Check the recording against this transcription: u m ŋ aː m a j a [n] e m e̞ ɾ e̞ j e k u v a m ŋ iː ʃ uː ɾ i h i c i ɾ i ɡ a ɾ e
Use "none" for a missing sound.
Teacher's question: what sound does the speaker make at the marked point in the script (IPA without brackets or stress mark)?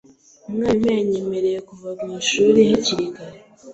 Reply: ɲ